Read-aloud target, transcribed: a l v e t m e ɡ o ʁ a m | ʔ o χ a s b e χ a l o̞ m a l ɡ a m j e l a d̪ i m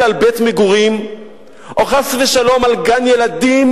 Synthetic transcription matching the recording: a l b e t m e ɡ u ʁ i m | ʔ o χ a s v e ʃ a l o̞ m a l ɡ a n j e l a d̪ i m